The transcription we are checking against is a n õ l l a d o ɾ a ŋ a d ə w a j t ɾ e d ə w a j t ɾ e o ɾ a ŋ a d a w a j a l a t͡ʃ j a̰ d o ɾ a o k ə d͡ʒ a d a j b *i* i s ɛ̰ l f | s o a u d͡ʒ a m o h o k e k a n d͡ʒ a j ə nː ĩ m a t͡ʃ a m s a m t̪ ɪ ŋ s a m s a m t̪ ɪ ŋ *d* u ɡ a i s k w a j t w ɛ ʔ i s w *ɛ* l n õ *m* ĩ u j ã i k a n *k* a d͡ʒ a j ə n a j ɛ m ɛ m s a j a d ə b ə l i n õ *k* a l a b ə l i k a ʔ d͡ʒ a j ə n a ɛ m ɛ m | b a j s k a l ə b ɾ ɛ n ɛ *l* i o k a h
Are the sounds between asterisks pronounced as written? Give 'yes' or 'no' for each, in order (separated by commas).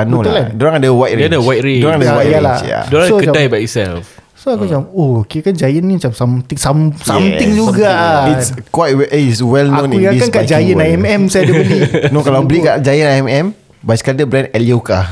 no, no, yes, no, yes, yes, yes